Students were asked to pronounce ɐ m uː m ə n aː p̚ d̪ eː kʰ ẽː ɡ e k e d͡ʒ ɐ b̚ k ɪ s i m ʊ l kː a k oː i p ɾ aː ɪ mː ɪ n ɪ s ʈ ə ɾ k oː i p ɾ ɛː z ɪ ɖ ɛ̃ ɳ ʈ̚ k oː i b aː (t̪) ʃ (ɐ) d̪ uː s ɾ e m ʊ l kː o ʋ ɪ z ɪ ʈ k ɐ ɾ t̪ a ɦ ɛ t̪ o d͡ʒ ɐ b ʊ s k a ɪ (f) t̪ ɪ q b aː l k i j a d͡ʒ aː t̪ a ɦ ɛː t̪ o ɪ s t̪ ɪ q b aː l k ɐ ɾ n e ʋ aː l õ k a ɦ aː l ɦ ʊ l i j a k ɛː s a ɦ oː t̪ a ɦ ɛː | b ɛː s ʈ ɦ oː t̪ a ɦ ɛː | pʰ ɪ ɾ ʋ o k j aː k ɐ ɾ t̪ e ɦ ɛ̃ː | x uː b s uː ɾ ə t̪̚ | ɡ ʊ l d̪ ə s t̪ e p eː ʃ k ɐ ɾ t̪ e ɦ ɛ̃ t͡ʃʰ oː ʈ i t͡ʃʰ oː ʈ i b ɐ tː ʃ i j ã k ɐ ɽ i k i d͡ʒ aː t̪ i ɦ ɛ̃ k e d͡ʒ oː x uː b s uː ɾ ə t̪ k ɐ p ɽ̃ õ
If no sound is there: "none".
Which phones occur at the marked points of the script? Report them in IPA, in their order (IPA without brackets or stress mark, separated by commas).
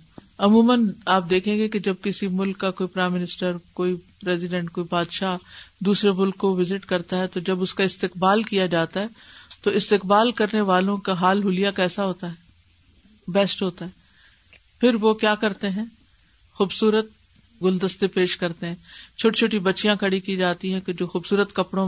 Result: d̪, a, s